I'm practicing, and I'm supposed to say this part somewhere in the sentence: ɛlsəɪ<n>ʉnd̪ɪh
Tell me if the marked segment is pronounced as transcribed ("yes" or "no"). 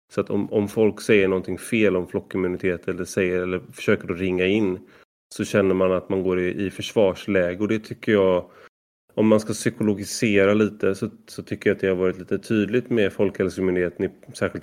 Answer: no